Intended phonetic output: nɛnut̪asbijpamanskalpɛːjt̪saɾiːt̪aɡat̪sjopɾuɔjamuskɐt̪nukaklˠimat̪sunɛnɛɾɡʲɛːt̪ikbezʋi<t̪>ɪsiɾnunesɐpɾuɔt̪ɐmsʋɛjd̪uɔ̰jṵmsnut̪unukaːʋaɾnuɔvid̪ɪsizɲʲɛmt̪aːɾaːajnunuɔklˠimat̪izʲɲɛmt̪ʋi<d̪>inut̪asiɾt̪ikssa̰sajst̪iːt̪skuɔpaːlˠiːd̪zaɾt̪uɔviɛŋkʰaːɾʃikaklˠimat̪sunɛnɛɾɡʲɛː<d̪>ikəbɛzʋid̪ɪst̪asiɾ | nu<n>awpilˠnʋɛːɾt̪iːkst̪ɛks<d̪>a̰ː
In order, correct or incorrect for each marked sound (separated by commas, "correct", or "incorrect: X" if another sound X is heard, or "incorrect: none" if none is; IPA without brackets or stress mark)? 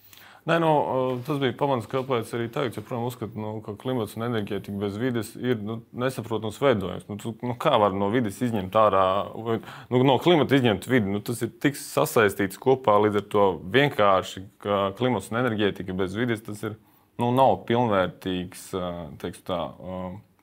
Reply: incorrect: d̪, correct, incorrect: t̪, correct, incorrect: t̪